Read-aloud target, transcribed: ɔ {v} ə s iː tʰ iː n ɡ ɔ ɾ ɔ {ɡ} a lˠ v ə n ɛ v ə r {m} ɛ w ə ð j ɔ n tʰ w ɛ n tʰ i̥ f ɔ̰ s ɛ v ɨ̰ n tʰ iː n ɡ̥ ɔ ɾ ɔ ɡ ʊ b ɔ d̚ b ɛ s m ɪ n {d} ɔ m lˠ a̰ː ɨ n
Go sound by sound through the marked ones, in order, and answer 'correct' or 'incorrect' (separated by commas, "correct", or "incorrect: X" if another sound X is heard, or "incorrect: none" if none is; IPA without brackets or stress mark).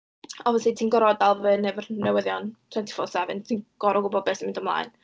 correct, incorrect: d, incorrect: n, correct